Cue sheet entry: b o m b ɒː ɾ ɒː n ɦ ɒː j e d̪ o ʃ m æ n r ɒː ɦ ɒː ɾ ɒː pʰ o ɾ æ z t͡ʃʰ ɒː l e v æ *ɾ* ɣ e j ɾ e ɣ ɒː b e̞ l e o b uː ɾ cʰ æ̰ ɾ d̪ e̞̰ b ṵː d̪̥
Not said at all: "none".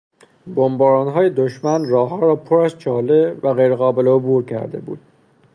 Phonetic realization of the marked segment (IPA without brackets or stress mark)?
none